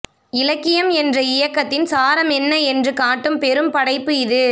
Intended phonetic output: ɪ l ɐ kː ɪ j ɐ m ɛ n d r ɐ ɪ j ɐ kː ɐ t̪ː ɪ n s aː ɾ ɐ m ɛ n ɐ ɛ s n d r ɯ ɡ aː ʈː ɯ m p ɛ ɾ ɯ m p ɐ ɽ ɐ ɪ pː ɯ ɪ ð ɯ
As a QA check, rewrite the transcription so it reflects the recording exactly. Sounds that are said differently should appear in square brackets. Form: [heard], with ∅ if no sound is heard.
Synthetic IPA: ɪ l ɐ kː ɪ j ɐ m ɛ n d r ɐ ɪ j ɐ kː ɐ t̪ː ɪ n s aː ɾ ɐ m ɛ [nː] ɐ ɛ [∅] n d r ɯ [k] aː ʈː ɯ m p ɛ ɾ ɯ m p ɐ ɽ ɐ ɪ pː ɯ ɪ ð ɯ